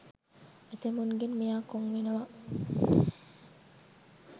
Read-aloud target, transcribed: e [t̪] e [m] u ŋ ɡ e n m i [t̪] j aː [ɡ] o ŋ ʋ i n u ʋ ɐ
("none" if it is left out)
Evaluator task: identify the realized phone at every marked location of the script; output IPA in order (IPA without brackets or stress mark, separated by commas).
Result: t̪, m, none, k